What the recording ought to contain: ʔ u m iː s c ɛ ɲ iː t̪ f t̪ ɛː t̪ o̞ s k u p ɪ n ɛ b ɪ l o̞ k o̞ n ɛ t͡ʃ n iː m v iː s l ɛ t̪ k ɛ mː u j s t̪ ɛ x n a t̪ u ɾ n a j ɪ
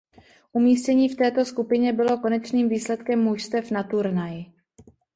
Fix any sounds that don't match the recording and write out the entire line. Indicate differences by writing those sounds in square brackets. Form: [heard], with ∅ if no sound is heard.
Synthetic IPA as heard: ʔ u m iː s c ɛ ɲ iː [∅] f t̪ ɛː t̪ o̞ s k u p ɪ [ɲ] ɛ b ɪ l o̞ k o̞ n ɛ t͡ʃ n iː m v iː s l ɛ t̪ k ɛ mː u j s t̪ ɛ [f] n a t̪ u ɾ n a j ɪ

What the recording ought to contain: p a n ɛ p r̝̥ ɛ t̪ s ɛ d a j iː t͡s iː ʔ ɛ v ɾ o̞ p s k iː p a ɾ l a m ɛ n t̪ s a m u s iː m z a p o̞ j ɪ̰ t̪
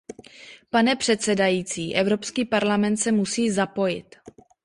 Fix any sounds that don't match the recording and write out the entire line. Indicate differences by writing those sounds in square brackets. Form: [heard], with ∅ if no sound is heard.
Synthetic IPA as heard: p a n ɛ p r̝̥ ɛ t̪ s ɛ d a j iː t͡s iː ʔ ɛ v ɾ o̞ p s k iː p a ɾ l a m ɛ n t̪ s [ɛ] m u s iː [∅] z a p o̞ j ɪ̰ t̪

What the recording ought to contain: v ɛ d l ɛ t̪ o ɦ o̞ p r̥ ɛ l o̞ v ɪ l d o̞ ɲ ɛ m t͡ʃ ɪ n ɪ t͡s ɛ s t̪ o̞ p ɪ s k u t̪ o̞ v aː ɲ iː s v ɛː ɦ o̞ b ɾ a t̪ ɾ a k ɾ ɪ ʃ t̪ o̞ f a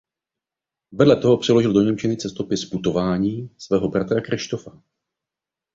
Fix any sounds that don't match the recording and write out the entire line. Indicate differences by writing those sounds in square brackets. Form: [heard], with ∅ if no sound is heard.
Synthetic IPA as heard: v ɛ d l ɛ t̪ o ɦ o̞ p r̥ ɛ l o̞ [ʒ] ɪ l d o̞ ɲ ɛ m t͡ʃ ɪ n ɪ t͡s ɛ s t̪ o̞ p ɪ s [p] u t̪ o̞ v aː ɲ iː s v ɛː ɦ o̞ b ɾ a t̪ ɾ a k ɾ ɪ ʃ t̪ o̞ f a

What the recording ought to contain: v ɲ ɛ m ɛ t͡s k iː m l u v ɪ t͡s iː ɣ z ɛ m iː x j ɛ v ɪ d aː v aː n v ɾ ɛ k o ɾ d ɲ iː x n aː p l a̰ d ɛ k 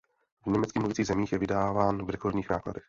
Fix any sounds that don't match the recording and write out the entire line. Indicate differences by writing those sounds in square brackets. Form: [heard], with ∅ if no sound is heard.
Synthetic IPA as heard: v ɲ ɛ m ɛ t͡s k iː m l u v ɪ t͡s iː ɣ z ɛ m iː x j ɛ v ɪ d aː v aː n v ɾ ɛ k o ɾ d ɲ iː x n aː [k] l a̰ d ɛ [x]

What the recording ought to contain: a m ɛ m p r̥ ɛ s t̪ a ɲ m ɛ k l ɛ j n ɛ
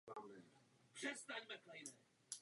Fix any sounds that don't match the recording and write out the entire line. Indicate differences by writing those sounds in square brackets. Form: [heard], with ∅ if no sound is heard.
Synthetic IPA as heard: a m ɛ [∅] p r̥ ɛ s t̪ a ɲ m ɛ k l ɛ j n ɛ

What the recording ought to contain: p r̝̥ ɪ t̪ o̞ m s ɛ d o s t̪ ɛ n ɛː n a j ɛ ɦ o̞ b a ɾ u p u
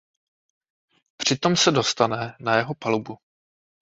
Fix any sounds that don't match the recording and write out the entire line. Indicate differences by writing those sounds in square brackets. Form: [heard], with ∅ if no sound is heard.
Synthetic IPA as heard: p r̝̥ ɪ t̪ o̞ m s ɛ d o s t̪ [a] n [ɛ] n a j ɛ ɦ o̞ [p] a [l] u [b] u

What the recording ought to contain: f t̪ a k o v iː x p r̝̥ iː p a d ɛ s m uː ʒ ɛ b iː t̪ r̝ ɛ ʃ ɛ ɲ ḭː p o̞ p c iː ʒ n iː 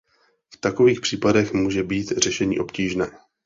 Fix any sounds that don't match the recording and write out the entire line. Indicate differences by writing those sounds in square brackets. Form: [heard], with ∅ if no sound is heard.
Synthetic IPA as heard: f t̪ a k o v iː x p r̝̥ iː p a d ɛ [x] m uː ʒ ɛ b iː t̪ r̝ ɛ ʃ ɛ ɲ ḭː [ʔ] o̞ p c iː ʒ n [ɛː]

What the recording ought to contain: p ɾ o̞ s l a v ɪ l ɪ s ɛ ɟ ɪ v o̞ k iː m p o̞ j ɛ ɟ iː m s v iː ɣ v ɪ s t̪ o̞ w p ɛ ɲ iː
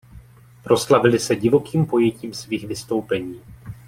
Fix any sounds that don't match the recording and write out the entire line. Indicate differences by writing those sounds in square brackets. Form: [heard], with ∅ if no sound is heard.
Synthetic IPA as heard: p ɾ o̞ s l a v ɪ l ɪ s ɛ ɟ ɪ v o̞ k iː m p o̞ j ɛ [c] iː m s v iː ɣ v ɪ s t̪ o̞ w p ɛ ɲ iː

